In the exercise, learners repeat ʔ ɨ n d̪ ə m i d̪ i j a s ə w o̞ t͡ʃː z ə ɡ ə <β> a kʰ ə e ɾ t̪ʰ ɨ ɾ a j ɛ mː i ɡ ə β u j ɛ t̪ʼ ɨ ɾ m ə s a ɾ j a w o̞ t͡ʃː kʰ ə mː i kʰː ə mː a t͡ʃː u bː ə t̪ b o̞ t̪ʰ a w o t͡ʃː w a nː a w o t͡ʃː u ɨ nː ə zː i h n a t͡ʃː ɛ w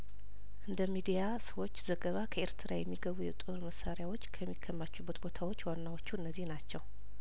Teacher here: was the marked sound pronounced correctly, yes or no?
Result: yes